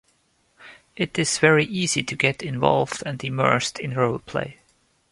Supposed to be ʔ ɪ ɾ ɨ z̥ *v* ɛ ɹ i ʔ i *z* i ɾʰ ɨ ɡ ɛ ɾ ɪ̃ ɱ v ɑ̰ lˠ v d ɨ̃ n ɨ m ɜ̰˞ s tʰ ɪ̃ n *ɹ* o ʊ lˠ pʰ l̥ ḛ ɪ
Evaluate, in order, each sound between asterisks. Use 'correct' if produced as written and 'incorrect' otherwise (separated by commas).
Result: correct, correct, correct